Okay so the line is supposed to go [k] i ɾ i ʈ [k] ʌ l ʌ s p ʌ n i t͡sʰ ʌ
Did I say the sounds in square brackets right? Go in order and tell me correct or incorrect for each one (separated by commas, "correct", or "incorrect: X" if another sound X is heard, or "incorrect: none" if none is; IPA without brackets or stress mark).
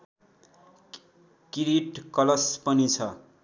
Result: correct, correct